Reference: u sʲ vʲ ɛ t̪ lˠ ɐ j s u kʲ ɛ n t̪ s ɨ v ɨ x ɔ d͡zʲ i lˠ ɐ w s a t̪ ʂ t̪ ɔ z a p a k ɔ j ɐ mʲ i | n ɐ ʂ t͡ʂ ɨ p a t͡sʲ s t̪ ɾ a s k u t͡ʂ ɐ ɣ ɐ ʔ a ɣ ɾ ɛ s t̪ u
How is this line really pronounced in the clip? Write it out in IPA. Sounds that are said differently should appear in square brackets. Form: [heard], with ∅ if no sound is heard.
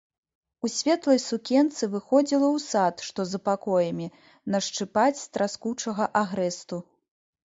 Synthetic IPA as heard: u sʲ vʲ ɛ t̪ lˠ ɐ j s u kʲ ɛ n t̪ s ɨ v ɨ x ɔ d͡zʲ i lˠ ɐ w s a t̪ ʂ t̪ ɔ z [ɐ] p a k ɔ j ɐ mʲ i | n ɐ ʂ t͡ʂ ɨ p a t͡sʲ s t̪ ɾ a s k u t͡ʂ ɐ ɣ ɐ ʔ a ɣ ɾ ɛ s t̪ u